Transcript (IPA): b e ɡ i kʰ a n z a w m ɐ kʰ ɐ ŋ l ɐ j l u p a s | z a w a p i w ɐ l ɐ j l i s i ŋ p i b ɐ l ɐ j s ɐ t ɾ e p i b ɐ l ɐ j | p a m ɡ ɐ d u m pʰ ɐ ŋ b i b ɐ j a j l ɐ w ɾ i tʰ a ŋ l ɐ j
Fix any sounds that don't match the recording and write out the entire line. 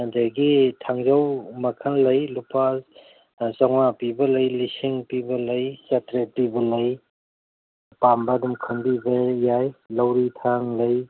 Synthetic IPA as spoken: d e ɡ i tʰ a ŋ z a w m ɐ kʰ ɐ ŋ l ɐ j l u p a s | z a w a p i b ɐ l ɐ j l i s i ŋ p i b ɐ l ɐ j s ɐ t ɾ e p i b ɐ l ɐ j | p a m b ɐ d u m kʰ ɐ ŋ b i b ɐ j a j l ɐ w ɾ i tʰ a ŋ l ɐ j